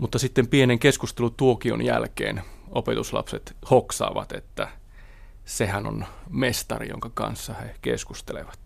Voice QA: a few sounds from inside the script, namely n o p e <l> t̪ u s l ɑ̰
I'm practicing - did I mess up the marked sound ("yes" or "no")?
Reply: yes